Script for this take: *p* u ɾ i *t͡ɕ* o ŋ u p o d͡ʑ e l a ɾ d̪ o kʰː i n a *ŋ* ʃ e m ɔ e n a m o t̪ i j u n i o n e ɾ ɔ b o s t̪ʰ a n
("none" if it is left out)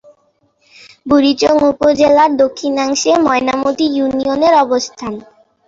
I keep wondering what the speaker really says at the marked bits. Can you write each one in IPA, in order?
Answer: b, t͡ɕ, ŋ

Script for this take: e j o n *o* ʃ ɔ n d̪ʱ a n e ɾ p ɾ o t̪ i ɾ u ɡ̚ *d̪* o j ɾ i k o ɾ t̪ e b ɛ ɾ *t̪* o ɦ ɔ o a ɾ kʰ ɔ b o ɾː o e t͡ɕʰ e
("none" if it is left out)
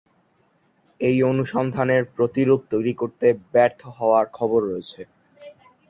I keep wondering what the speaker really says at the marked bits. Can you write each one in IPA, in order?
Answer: u, t̪, t̪ʰ

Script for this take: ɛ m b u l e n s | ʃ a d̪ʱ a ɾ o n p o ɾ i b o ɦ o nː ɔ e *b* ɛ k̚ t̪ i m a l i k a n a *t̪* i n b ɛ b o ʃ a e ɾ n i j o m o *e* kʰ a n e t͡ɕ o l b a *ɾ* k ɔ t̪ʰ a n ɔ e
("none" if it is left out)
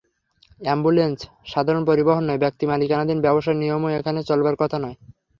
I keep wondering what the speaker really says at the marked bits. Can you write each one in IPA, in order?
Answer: b, d̪, e, ɾ

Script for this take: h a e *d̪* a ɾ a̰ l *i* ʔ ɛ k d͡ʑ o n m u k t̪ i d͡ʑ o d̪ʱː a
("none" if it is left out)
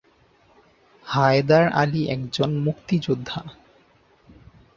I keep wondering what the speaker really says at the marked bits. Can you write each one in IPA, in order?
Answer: d̪, i

